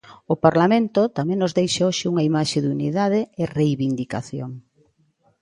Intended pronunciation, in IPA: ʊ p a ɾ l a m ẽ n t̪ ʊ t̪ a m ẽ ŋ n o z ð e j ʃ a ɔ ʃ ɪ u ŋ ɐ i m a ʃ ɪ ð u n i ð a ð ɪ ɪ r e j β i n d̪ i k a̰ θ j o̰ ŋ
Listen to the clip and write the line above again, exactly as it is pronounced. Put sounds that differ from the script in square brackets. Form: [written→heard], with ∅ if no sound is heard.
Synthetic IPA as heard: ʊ p a ɾ l a m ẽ n t̪ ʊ t̪ a m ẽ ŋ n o z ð e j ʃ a [ɔ→o] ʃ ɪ u ŋ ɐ i m a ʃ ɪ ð u n i ð a ð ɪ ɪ r e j β i n d̪ i k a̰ θ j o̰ ŋ